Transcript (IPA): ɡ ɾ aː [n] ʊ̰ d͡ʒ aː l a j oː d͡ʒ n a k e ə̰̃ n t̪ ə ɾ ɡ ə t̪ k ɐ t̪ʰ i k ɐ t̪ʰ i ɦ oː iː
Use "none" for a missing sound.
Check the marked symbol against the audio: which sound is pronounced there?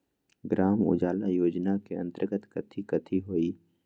m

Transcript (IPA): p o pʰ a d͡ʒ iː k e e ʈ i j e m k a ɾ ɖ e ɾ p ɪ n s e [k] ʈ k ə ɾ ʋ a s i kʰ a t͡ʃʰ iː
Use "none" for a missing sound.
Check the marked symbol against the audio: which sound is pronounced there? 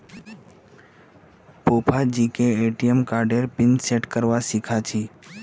none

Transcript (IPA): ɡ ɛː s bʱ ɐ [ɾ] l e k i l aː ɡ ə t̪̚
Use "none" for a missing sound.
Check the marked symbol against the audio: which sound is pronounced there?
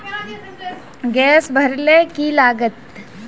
ɾ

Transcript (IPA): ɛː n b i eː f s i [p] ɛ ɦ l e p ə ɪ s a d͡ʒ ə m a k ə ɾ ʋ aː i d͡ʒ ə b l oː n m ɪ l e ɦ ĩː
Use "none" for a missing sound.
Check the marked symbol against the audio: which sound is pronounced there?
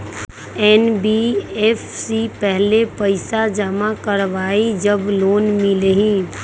p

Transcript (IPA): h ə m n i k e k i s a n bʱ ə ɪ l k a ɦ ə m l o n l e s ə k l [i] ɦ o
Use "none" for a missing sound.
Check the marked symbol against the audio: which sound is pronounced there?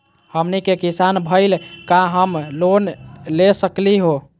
i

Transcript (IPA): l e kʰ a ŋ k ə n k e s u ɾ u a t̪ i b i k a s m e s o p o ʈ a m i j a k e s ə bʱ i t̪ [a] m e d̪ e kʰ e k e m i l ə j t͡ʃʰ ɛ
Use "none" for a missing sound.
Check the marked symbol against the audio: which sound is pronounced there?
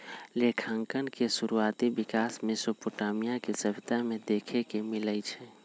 a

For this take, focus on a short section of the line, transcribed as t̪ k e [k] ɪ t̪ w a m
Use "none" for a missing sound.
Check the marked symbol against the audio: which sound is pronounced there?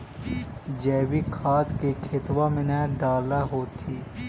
kʰ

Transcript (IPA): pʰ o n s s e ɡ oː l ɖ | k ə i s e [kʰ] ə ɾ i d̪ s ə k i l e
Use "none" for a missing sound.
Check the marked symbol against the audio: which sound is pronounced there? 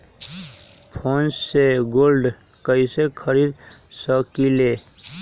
kʰ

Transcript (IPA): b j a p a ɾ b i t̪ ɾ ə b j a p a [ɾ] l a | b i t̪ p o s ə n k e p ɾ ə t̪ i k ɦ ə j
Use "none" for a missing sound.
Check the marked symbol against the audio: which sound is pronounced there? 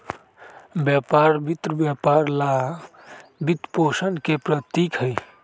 ɾ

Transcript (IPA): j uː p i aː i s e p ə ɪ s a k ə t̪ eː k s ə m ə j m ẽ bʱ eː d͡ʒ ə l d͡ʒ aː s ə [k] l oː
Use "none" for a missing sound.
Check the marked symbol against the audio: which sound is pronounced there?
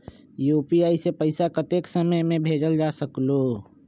k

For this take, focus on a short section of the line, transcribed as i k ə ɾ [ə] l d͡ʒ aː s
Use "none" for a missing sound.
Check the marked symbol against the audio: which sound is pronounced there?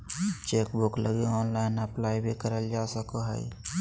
ə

